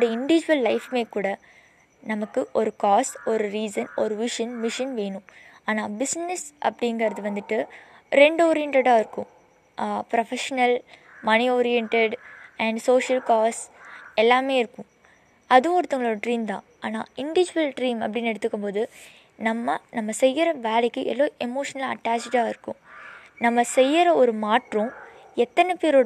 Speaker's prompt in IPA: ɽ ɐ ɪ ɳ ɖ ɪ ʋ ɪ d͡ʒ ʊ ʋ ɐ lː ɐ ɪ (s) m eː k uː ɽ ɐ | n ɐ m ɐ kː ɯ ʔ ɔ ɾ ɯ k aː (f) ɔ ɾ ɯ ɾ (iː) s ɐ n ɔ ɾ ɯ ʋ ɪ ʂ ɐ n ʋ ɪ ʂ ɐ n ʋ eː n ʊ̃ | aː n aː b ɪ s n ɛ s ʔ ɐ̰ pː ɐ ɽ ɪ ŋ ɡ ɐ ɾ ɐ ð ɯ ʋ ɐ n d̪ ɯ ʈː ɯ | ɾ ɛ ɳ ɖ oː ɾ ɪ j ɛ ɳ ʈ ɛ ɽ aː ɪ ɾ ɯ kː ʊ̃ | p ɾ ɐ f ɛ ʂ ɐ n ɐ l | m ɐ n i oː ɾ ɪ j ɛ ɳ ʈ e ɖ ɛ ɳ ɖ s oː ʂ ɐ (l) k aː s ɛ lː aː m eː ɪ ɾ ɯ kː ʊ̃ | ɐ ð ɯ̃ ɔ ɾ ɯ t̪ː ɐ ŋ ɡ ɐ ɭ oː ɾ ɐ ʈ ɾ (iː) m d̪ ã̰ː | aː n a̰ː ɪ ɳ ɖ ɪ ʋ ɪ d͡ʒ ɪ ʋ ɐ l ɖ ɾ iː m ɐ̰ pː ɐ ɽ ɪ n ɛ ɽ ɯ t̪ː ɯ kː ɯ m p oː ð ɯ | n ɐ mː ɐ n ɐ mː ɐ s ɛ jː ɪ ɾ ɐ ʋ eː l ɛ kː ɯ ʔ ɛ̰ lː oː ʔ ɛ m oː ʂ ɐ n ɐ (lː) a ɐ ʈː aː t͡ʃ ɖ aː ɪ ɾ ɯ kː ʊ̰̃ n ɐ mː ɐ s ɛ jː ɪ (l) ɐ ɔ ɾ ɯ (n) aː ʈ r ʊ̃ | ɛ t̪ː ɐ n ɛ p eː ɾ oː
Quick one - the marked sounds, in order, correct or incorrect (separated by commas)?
incorrect, incorrect, correct, correct, correct, incorrect, incorrect, incorrect